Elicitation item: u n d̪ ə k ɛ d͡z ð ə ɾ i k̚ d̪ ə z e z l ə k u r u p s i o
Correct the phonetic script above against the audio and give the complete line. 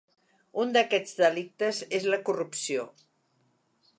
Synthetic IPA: u n d̪ ə k ɛ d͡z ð ə l i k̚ t̪ ə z e z l ə k u r u p s i o

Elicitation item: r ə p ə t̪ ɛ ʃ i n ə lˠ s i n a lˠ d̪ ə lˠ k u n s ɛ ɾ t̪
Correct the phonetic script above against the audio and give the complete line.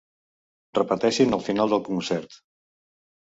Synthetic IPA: r ə p ə t̪ ɛ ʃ i n ə lˠ f i n a lˠ d̪ ə lˠ k u n s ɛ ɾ t̪

